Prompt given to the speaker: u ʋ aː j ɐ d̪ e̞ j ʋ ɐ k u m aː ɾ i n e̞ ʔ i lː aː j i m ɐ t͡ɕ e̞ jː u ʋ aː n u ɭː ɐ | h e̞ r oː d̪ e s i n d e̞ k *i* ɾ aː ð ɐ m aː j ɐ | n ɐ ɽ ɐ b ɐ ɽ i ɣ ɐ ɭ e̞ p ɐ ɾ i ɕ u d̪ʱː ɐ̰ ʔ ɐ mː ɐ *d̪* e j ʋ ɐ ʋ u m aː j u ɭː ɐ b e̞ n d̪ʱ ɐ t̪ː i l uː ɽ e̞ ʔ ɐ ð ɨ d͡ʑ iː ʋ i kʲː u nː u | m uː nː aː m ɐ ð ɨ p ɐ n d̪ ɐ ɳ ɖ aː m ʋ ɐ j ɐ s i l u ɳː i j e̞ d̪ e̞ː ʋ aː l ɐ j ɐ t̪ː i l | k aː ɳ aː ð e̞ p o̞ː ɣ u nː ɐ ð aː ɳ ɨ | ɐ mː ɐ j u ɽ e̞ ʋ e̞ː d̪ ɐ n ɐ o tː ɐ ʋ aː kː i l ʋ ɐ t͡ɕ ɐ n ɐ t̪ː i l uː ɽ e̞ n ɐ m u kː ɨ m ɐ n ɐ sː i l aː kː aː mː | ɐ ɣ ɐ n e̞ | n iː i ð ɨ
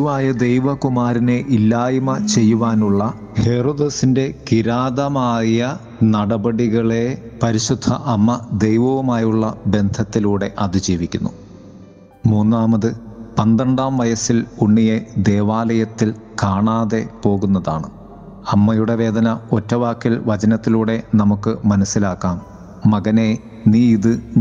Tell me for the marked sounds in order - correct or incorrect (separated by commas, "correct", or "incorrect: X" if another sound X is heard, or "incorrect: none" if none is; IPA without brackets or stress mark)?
correct, correct